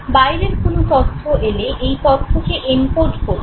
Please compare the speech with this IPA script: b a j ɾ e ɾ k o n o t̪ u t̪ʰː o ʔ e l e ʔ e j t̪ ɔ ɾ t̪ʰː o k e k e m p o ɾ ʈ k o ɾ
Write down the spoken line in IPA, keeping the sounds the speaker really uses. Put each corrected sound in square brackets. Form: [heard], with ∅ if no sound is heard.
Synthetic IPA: b a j ɾ e ɾ k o n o t̪ [ɔ] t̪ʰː o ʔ e l e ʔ e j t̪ ɔ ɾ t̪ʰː o k e [ʔ] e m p o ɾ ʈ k o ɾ